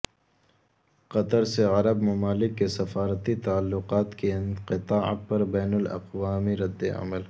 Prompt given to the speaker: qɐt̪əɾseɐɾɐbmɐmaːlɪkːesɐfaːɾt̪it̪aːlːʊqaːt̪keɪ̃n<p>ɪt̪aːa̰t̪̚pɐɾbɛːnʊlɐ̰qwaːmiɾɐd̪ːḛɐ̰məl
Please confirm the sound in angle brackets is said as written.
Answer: no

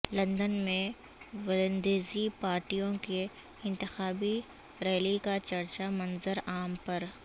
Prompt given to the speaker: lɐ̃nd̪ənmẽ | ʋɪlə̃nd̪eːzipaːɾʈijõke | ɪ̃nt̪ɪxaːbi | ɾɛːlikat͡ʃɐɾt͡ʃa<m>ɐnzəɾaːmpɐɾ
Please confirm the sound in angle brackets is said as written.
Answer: yes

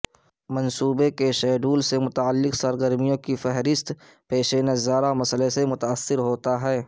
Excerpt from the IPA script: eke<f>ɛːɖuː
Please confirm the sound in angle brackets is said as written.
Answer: no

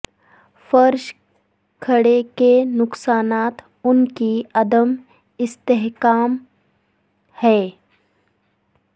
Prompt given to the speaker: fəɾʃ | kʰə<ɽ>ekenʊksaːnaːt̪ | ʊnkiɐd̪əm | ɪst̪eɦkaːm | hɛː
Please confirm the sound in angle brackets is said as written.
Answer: yes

